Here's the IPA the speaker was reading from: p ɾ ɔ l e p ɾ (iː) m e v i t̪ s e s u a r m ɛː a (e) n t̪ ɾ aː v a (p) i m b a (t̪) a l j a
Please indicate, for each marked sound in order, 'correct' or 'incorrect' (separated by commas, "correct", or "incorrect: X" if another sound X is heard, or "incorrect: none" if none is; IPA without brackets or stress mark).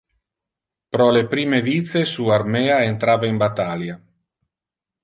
correct, correct, incorrect: none, correct